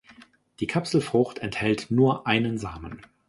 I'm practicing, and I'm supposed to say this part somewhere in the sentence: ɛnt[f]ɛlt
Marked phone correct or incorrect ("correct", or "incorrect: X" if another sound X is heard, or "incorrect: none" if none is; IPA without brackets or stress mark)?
incorrect: h